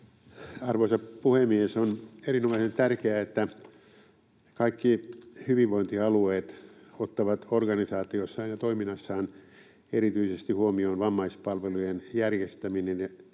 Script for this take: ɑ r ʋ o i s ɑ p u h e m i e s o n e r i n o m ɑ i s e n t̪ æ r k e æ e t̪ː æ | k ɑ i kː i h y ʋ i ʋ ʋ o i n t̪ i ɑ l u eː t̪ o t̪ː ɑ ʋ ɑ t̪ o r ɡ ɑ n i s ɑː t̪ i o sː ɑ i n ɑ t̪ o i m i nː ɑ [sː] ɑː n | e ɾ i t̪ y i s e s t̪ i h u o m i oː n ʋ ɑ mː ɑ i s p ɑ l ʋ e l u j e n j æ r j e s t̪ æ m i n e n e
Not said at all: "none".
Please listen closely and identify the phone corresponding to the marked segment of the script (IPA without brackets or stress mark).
sː